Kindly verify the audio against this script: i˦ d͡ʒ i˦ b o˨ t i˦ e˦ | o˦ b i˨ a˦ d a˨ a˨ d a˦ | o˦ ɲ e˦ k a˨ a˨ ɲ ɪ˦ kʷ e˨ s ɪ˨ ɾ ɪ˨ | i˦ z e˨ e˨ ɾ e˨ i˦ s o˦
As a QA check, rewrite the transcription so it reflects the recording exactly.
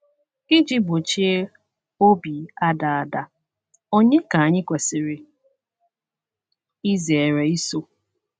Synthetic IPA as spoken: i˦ d͡ʒ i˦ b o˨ t͡ʃ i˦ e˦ | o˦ b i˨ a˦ d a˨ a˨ d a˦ | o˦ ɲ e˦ k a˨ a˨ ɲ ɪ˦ kʷ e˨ s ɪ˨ ɾ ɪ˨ | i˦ z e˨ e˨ ɾ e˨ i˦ s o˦